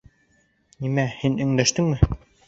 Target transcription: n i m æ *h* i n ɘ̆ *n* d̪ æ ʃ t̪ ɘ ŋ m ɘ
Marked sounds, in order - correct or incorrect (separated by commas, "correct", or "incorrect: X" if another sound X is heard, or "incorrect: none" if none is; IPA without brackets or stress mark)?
correct, incorrect: ŋ